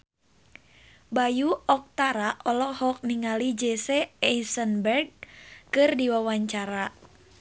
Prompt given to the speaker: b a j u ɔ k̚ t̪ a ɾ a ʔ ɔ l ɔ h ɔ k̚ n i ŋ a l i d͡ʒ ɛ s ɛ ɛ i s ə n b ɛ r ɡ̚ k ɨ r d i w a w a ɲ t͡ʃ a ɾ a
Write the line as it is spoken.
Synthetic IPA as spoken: b a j u ɔ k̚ t̪ a ɾ a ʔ ɔ l ɔ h ɔ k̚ n i ŋ a l i d͡ʒ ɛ s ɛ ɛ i s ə n b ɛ r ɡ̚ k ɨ r d i w a w a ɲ t͡ʃ a ɾ a